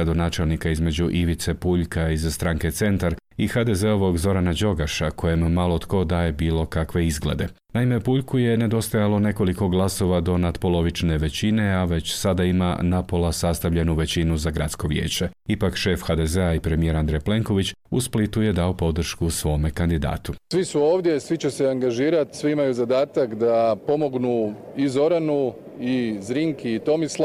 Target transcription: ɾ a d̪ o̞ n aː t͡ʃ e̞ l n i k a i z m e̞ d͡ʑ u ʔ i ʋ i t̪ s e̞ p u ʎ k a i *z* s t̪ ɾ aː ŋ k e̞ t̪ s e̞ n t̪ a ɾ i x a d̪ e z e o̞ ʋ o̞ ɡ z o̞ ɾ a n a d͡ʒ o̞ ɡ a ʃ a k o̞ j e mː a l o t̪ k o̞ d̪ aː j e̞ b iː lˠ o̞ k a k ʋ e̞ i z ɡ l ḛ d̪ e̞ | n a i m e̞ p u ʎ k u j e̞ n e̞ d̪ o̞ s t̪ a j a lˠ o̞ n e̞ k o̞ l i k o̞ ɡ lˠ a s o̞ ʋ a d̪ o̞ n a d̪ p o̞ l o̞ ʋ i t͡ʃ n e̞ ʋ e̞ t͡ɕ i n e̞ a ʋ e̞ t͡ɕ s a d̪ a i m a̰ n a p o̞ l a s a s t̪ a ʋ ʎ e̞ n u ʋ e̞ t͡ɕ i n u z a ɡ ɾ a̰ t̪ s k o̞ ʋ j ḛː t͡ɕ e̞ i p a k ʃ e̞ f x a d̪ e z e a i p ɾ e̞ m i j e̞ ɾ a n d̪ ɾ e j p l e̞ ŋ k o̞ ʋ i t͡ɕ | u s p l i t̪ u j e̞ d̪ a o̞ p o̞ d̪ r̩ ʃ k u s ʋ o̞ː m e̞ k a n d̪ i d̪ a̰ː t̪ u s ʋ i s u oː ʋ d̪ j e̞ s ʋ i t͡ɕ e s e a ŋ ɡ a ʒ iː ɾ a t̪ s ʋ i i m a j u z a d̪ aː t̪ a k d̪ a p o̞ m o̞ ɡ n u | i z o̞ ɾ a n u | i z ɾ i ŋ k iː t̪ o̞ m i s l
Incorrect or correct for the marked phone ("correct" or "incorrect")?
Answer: correct